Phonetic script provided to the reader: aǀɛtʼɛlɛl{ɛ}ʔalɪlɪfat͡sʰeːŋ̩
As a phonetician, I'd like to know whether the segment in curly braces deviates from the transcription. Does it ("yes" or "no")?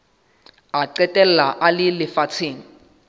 yes